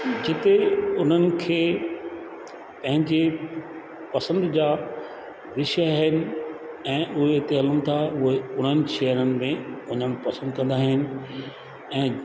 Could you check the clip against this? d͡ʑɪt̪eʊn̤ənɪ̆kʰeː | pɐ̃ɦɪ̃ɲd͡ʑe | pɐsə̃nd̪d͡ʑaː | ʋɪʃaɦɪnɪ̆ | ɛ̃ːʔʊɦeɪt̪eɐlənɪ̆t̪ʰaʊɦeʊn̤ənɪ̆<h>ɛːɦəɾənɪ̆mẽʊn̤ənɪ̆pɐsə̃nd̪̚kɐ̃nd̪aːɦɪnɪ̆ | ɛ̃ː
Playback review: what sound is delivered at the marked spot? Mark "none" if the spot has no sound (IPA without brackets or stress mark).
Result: ʃ